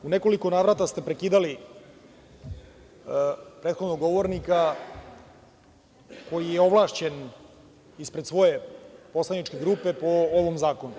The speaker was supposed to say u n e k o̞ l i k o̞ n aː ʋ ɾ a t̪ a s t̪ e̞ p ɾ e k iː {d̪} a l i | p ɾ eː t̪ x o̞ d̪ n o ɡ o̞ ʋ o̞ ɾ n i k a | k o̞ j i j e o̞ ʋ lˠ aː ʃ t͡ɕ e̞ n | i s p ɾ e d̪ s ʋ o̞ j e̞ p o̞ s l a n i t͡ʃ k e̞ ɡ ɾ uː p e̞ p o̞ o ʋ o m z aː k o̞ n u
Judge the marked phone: correct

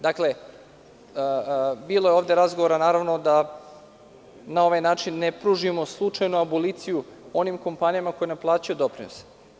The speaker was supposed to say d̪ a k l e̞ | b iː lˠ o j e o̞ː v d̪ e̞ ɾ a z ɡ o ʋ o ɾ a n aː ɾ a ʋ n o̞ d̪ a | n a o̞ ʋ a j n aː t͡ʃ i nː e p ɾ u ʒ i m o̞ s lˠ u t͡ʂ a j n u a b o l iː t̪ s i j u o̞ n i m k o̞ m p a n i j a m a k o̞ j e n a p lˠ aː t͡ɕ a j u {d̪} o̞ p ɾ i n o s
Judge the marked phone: correct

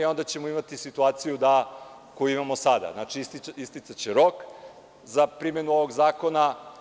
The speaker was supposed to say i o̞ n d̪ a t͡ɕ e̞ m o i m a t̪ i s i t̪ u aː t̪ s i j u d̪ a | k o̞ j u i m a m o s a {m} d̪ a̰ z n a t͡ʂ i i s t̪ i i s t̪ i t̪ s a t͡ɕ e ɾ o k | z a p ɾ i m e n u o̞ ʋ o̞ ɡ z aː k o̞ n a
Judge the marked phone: incorrect: none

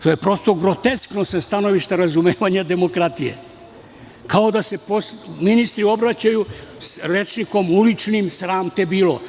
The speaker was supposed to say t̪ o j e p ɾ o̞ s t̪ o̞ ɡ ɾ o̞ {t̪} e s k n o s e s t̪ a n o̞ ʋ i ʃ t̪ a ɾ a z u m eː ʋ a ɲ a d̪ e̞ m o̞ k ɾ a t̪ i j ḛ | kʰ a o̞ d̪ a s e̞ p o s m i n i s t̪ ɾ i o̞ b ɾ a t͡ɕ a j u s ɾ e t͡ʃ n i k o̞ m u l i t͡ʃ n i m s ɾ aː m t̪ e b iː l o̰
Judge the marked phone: correct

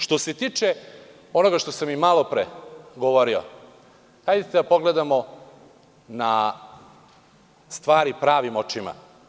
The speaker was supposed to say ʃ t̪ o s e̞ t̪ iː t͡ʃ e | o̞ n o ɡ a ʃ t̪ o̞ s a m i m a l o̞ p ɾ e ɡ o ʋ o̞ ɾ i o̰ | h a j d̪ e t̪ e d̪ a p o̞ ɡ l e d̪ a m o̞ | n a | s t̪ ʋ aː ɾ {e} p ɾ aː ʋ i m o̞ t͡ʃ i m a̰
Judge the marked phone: incorrect: i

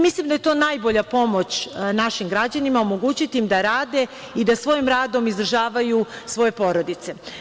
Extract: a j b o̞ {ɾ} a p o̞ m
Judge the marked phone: incorrect: ʎ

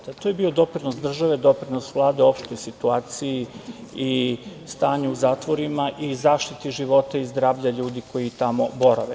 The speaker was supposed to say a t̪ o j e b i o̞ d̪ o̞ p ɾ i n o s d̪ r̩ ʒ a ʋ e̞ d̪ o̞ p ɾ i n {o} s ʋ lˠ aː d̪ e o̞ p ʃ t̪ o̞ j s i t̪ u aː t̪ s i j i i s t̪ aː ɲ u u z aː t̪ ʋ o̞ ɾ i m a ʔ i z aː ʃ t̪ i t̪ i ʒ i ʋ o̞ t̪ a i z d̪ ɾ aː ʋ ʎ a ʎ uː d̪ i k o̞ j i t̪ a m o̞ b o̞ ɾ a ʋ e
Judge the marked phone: correct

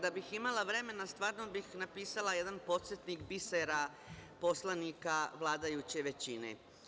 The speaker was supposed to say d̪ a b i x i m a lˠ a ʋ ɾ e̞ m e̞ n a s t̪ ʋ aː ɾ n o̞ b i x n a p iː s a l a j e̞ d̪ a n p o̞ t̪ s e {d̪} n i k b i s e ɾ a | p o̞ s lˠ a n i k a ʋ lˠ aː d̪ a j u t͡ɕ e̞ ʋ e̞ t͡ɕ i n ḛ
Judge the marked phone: incorrect: t̪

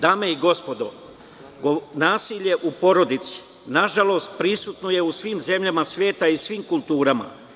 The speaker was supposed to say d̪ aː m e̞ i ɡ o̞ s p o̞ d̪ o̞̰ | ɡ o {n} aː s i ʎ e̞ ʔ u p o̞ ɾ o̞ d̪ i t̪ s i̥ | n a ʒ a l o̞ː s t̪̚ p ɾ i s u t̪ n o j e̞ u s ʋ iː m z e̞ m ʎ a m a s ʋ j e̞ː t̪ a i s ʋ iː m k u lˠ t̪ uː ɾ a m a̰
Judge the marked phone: correct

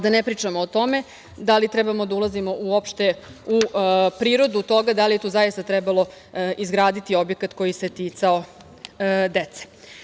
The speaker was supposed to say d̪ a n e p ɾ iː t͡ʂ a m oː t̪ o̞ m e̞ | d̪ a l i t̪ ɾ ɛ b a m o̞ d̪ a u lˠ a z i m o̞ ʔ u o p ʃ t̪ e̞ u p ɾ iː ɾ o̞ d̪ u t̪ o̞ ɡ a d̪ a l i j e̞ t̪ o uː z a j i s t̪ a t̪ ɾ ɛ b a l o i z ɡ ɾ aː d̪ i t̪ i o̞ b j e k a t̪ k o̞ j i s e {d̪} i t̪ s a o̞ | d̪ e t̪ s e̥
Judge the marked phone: incorrect: t̪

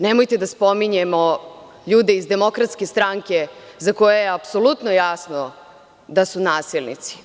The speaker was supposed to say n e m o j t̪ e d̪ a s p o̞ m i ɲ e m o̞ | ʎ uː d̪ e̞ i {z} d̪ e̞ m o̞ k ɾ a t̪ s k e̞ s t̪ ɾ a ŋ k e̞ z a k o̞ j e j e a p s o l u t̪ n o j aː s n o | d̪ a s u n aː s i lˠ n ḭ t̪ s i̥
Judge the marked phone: correct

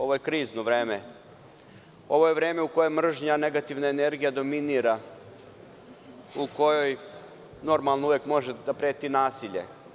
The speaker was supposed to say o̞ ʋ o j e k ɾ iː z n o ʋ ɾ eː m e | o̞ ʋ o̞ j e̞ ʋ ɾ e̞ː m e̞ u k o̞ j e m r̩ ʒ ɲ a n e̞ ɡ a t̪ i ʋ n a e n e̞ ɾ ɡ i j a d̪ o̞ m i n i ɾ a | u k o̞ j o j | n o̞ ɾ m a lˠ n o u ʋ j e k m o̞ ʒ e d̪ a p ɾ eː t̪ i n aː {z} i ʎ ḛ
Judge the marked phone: incorrect: s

